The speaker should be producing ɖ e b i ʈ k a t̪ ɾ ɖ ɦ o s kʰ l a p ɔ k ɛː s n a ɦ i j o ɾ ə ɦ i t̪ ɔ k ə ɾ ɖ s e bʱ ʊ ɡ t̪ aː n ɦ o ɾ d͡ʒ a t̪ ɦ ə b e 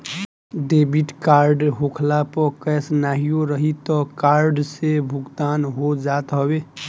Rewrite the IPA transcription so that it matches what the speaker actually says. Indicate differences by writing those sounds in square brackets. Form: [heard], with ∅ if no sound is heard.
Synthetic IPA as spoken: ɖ e b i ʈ k a [∅] ɾ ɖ ɦ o [∅] kʰ l a p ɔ k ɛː s n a ɦ i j o ɾ ə ɦ i t̪ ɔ k [a] ɾ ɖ s e bʱ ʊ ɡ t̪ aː n ɦ o [∅] d͡ʒ a t̪ ɦ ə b e